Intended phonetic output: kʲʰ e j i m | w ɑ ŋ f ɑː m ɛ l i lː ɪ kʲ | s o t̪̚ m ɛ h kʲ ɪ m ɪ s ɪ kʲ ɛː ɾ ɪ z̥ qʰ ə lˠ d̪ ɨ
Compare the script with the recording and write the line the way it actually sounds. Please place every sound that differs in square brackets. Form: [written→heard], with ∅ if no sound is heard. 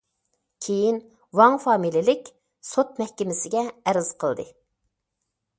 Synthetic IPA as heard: kʲʰ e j i [m→n] | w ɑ ŋ f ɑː m [ɛ→i] l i [lː→l] ɪ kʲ | s o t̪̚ m ɛ h kʲ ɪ m ɪ s ɪ [kʲ→ɡʲ] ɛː ɾ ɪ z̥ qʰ ə lˠ d̪ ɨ